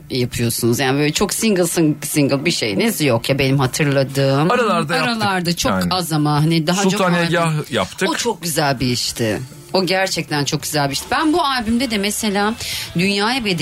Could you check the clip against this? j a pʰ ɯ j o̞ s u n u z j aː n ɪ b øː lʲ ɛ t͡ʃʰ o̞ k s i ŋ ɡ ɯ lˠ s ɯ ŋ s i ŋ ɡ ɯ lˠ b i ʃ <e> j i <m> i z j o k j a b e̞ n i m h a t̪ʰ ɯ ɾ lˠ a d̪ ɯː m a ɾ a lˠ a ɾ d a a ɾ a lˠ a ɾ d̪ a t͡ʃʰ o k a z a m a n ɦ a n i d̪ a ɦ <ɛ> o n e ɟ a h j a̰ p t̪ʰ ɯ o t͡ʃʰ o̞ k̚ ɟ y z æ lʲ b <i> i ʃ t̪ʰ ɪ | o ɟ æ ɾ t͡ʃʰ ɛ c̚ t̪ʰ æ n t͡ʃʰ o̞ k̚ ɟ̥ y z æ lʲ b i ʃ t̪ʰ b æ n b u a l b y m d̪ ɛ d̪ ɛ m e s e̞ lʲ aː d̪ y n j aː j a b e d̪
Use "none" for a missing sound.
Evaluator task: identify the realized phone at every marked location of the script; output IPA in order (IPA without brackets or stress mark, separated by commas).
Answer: e, n, a, i